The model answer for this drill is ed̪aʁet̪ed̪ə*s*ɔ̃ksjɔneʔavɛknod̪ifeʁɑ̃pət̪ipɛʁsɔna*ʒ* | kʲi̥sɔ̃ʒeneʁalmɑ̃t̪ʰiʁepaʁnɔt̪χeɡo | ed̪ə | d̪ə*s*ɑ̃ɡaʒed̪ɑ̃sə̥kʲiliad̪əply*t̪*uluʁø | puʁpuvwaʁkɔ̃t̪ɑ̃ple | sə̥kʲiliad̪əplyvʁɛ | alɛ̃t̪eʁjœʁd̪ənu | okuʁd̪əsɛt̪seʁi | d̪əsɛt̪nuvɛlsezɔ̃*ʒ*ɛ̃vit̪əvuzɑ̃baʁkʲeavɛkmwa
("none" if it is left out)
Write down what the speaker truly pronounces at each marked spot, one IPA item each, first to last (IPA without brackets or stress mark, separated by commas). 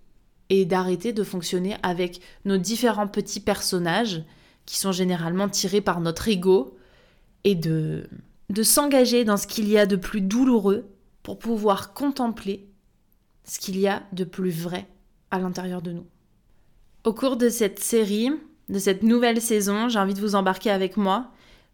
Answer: f, ʒ, s, d̪, ʒ